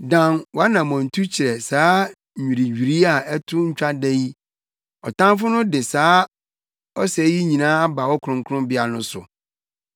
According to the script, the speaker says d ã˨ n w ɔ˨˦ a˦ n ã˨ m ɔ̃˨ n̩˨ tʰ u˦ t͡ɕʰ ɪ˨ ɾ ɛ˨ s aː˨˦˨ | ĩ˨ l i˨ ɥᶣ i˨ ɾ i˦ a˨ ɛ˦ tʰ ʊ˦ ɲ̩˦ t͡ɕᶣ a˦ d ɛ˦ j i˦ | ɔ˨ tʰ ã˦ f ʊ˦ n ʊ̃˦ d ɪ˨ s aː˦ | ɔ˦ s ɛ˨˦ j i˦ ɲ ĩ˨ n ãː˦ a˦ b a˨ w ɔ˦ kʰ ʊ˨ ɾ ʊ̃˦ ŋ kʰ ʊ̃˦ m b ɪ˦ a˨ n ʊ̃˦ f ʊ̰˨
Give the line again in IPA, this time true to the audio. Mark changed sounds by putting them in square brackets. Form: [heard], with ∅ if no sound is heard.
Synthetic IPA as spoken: d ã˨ n w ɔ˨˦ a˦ n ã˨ m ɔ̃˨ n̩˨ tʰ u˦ t͡ɕʰ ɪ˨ ɾ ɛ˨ s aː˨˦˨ | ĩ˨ [ɾ] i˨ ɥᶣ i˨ ɾ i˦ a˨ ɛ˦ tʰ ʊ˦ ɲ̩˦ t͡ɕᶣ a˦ d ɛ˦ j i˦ | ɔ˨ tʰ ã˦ f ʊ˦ n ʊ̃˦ d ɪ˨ s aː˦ | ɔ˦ s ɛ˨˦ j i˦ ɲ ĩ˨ n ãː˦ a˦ b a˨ w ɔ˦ kʰ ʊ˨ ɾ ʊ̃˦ ŋ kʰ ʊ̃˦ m b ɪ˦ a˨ n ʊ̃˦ [s] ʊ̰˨